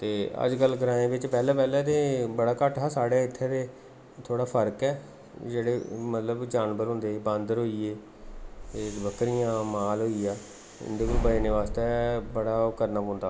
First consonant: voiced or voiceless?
voiceless